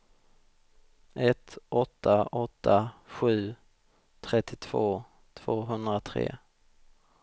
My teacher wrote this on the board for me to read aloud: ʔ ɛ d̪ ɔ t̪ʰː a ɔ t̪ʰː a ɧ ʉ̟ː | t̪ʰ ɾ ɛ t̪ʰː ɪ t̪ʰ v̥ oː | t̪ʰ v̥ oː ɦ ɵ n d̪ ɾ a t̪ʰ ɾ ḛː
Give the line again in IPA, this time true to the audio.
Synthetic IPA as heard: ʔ ɛ t̪ ɔ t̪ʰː a ɔ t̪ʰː a ɧ ʉ̟ː | t̪ʰ ɾ ɛ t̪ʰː ɪ t̪ʰ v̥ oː | t̪ʰ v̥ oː ɦ ɵ n d̪ ɾ a t̪ʰ ɾ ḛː